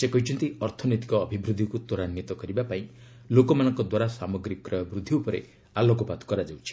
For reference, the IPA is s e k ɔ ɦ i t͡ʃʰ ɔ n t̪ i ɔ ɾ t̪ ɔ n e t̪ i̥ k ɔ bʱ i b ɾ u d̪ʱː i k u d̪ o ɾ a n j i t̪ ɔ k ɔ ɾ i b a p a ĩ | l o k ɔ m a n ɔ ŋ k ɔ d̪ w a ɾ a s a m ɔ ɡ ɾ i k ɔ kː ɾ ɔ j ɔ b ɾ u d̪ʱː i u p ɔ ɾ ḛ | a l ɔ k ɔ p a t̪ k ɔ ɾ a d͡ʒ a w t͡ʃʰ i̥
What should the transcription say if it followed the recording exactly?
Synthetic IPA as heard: s e k ɔ ɦ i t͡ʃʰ ɔ n t̪ i ɔ ɾ t̪ʰ ɔ n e t̪ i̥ k ɔː bʱ i b ɾ u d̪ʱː i k u t̪ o ɾ a n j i t̪ ɔ k ɔ ɾ i b a p a ĩ | l o k ɔ m a n ɔ ŋ k ɔ d̪ w a ɾ a s a m ɔ ɡ ɾ i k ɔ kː ɾ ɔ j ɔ b ɾ u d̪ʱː i u p ɔ ɾ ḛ | a l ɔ k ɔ p a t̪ k ɔ ɾ a d͡ʒ a w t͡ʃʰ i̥

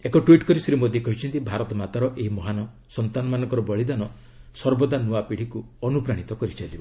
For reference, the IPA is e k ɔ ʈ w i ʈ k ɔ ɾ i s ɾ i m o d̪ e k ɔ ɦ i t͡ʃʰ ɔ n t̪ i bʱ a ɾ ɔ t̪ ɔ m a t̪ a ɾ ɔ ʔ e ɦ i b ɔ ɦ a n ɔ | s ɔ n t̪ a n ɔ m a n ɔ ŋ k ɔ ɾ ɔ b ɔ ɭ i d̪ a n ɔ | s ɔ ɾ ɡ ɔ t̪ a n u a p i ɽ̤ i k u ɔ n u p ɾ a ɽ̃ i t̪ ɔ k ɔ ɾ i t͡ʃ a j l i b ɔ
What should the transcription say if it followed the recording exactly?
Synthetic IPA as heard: e k ɔ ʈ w i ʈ k ɔ ɾ i s ɾ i m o d̪ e k ɔ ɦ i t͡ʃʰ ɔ n t̪ i bʱ a ɾ ɔ t̪ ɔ m a t̪ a ɾ ɔ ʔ e ɦ i m ɔ ɦ a n ɔ | s ɔ n t̪ a n ɔ m a n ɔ ŋ k ɔ ɾ ɔ b ɔ ɭ i d̪ a n ɔ | s ɔ ɾ b ɔ d̪ a n u a p i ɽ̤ i k u ɔ n u p ɾ a ɽ̃ i t̪ ɔ k ɔ ɾ i t͡ʃ a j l i b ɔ

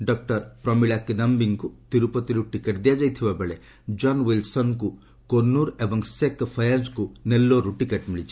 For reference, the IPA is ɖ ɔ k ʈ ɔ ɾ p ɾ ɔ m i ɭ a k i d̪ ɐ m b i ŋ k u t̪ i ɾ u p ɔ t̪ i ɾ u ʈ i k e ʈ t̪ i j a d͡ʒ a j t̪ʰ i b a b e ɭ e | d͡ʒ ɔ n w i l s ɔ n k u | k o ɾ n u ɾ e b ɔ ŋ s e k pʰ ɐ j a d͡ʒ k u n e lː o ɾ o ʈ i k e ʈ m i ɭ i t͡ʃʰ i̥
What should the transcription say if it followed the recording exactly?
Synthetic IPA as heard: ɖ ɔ k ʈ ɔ ɾ p ɾ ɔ m i ɭ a k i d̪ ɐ m b i ŋ k u t̪ i ɾ u p ɔ t̪ i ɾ u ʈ i k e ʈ d̪ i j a d͡ʒ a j t̪ʰ i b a b e ɭ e | d͡ʒ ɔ n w i l s ɔ n k u | k o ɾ n u ɾ e b ɔ ŋ s e k pʰ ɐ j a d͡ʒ k u n e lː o ɾ u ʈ i k e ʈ m i ɭ i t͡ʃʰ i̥

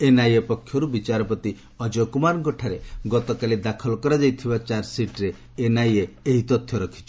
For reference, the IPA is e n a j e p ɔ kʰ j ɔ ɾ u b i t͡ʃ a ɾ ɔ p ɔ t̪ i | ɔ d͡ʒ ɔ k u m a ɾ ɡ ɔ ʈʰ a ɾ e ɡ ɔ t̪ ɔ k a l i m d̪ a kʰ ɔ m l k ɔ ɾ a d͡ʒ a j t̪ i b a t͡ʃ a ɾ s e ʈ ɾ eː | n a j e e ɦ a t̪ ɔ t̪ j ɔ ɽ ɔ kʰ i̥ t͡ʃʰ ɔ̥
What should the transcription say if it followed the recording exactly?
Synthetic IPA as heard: e n a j e p ɔ kʰ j ɔ ɾ u b i t͡ʃ a ɾ ɔ p ɔ t̪ i | ɔ d͡ʒ ɔ k u m a ɾ ɡ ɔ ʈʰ a ɾ e ɡ ɔ t̪ ɔ k a l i d̪ a kʰ ɔ l k ɔ ɾ a d͡ʒ a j t̪ʰ i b a t͡ʃ a ɾ s i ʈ ɾ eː | n a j e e ɦ i t̪ ɔ t̪ʰ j ɔ ɾ ɔ kʰ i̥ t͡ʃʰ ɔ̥

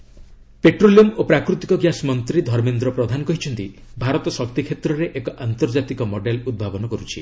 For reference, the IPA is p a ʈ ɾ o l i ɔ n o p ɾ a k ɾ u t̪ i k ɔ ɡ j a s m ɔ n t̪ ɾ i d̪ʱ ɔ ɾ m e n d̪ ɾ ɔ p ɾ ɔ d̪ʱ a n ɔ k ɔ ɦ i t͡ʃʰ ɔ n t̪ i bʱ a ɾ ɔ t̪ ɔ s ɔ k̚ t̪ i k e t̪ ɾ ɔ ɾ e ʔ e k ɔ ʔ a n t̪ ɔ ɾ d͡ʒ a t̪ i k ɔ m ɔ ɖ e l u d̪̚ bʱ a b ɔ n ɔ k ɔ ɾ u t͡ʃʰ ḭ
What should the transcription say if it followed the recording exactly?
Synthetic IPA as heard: p e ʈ ɾ o l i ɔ m o p ɾ a k ɾ u t̪ i k ɔ ɡ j a s m ɔ n t̪ ɾ i d̪ʱ ɔ ɾ m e n d̪ ɾ ɔ p ɾ ɔ d̪ʱ a n ɔ k ɔ ɦ i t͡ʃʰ ɔ n t̪ i bʱ a ɾ ɔ t̪ ɔ s ɔ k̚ t̪ i kʰ e t̪ ɾ ɔ ɾ e ʔ e k ɔ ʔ a n t̪ ɔ ɾ d͡ʒ a t̪ i k ɔ m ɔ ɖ e l u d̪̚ bʱ a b ɔ n ɔ k ɔ ɾ u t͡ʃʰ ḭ

